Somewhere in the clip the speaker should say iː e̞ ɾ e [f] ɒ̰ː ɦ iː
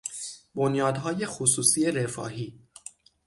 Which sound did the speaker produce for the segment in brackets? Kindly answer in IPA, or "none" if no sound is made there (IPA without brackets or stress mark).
f